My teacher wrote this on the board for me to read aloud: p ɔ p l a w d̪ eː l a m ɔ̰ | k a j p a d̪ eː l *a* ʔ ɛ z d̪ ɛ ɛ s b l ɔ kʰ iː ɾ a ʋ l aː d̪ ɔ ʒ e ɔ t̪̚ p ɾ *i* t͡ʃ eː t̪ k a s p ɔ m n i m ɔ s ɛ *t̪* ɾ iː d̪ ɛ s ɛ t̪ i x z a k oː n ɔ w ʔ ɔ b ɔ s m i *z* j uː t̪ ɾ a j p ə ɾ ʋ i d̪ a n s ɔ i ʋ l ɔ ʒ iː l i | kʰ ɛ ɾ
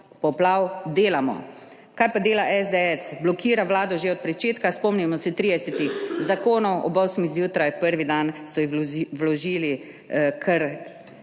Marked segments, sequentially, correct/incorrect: correct, incorrect, correct, correct

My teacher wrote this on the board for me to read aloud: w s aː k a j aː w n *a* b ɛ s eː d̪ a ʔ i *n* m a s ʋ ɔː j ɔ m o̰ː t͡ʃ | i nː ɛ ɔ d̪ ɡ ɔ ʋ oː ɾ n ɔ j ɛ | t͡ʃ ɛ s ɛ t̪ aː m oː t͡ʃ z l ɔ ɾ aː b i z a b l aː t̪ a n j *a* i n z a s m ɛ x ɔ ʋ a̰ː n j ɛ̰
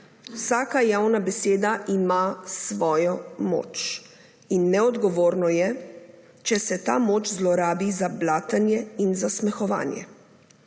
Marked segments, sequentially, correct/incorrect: correct, incorrect, incorrect

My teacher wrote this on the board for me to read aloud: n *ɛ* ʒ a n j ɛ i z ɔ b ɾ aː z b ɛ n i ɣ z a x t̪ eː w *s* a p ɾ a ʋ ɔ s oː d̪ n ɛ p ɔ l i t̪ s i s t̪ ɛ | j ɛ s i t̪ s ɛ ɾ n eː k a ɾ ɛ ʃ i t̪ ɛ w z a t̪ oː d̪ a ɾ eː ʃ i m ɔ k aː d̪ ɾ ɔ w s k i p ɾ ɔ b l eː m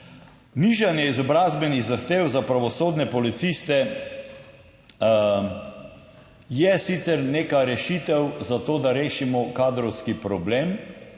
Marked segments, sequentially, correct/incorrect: incorrect, incorrect

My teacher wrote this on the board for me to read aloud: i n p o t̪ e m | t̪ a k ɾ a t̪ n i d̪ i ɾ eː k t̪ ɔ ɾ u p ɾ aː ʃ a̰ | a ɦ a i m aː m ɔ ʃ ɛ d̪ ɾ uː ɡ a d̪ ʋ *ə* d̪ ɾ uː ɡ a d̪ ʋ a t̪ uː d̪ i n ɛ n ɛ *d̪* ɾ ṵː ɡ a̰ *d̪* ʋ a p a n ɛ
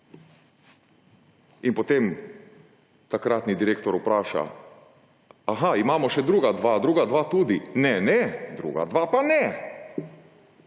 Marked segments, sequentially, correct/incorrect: incorrect, correct, correct

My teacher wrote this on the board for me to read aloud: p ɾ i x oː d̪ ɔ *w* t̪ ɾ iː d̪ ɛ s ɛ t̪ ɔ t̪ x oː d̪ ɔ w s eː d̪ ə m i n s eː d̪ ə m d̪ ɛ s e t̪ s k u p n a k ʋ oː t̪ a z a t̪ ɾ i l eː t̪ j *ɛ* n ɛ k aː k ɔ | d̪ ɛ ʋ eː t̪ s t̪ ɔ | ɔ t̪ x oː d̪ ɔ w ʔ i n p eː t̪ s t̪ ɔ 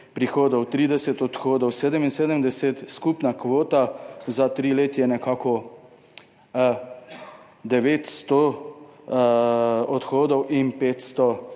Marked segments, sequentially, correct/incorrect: correct, correct

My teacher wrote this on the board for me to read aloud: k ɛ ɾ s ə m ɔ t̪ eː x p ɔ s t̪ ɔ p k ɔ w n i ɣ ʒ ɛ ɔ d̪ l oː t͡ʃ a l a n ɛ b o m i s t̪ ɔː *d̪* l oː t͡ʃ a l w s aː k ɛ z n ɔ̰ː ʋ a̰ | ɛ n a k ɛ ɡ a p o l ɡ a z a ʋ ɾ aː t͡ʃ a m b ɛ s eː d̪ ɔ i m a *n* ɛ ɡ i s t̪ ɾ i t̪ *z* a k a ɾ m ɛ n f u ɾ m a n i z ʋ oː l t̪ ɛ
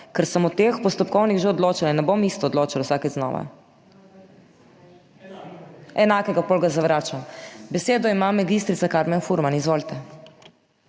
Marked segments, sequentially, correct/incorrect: correct, incorrect, incorrect

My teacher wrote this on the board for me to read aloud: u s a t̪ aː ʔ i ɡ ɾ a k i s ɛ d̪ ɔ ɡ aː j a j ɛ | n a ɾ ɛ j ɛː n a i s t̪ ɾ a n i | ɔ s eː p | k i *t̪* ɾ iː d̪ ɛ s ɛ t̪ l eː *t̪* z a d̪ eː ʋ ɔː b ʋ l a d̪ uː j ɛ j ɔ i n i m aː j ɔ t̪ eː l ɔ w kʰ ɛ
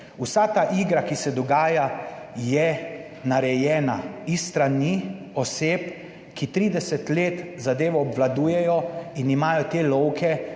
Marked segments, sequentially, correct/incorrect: correct, correct

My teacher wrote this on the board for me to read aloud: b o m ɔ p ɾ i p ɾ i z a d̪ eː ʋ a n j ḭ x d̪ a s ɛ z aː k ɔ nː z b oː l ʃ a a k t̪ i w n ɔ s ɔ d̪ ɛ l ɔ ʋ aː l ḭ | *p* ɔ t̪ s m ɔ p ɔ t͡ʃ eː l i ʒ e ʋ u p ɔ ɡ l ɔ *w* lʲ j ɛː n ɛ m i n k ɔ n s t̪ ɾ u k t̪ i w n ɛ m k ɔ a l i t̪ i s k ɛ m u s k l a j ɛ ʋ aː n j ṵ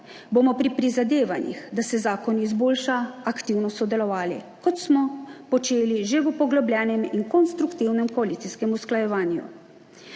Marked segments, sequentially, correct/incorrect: incorrect, incorrect

